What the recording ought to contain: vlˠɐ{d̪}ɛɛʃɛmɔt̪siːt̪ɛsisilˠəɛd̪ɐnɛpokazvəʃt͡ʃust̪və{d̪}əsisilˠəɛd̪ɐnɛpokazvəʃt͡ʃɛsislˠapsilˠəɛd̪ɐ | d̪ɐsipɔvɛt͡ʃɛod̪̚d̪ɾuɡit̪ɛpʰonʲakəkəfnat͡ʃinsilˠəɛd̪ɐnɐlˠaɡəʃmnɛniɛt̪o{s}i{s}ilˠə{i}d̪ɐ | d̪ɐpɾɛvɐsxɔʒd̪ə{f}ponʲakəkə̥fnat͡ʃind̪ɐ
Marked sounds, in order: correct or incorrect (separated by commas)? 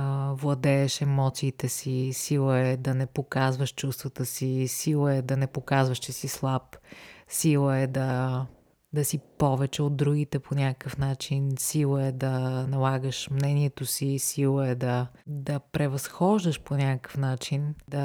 correct, incorrect, correct, correct, incorrect, incorrect